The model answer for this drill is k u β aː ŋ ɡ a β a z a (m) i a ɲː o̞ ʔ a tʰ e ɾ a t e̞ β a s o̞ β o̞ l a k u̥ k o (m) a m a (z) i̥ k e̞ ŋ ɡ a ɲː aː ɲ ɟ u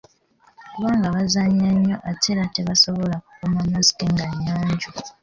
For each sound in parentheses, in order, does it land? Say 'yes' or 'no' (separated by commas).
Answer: no, yes, yes